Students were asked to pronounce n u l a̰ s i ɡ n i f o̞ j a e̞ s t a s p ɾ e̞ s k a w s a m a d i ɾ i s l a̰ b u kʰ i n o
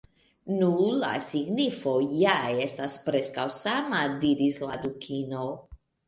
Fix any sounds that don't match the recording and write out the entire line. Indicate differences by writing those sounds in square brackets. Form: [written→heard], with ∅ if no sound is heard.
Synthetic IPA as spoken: n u l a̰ s i ɡ n i f o̞ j a e̞ s t a s p ɾ e̞ s k a w s a m a d i ɾ i s l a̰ [b→d] u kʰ i n o